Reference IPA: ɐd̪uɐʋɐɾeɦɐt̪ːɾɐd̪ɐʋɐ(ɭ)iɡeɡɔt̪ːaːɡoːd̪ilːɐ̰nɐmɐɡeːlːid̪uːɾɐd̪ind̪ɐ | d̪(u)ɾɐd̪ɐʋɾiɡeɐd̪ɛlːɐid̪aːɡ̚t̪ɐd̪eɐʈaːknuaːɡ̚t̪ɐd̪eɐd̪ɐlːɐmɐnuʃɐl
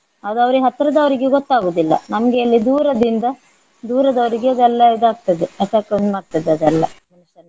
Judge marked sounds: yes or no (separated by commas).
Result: no, no